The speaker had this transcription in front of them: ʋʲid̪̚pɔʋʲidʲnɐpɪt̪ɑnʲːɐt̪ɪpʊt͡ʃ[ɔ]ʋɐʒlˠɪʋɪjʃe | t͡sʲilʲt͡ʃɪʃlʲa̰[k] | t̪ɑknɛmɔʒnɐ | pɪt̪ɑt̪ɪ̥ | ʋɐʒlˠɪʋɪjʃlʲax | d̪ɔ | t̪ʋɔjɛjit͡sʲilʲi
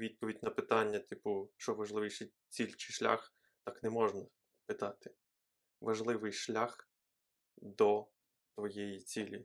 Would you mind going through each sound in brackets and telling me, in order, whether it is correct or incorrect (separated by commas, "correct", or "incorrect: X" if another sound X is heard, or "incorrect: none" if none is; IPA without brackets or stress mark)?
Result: correct, incorrect: x